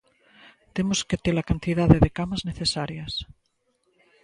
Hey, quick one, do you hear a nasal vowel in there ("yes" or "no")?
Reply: no